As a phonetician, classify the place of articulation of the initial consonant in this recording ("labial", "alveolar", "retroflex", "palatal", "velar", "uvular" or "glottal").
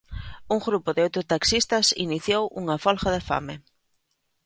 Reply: velar